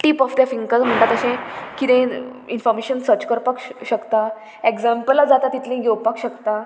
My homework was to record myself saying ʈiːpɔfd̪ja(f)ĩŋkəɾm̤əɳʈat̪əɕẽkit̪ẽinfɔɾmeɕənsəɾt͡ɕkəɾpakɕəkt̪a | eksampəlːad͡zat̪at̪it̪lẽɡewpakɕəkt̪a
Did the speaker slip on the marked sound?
no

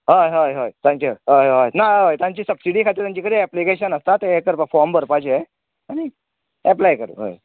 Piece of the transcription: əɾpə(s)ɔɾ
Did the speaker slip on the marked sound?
yes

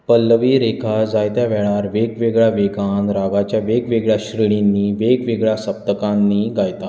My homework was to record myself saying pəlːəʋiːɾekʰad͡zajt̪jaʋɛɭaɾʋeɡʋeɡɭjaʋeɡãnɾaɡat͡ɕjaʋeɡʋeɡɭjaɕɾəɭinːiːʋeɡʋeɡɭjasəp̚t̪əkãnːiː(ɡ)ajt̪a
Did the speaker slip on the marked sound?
no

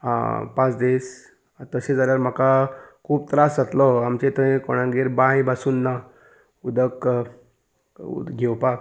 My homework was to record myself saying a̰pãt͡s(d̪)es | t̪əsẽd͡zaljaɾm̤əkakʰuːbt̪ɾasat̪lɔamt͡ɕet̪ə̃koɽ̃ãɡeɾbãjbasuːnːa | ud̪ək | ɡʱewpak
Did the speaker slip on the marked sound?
no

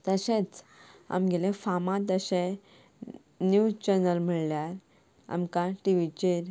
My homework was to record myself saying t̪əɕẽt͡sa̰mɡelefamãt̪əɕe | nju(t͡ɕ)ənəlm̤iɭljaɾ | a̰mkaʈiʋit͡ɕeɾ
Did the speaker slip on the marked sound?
no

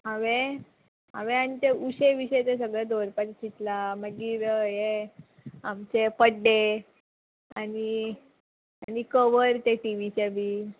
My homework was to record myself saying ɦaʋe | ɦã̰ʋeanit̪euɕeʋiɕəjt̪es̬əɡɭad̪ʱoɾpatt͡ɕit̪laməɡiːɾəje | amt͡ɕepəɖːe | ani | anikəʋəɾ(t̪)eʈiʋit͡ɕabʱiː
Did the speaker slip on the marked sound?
no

